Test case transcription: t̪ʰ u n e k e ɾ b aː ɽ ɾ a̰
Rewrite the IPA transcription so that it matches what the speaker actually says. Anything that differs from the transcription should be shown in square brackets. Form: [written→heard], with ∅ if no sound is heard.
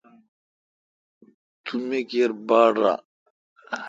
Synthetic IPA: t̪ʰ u [n→m] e k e ɾ b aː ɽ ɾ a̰